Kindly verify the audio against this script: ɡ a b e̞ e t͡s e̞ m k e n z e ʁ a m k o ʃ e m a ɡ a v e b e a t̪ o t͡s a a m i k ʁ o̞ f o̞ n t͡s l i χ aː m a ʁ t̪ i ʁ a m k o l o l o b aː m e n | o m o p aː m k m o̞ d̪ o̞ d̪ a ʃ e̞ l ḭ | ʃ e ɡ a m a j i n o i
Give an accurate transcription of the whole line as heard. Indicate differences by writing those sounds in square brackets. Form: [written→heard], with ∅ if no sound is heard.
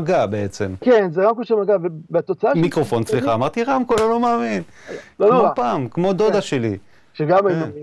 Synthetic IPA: ɡ a b e̞ e t͡s e̞ m k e n z e ʁ a m k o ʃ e m a ɡ a v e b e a t̪ o t͡s a a m i k ʁ o̞ f o̞ n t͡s l i χ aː m a ʁ t̪ i ʁ a m k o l o l o [b→m] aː m [e→i] n | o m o p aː m k m o̞ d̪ o̞ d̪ a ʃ e̞ l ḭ | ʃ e ɡ a m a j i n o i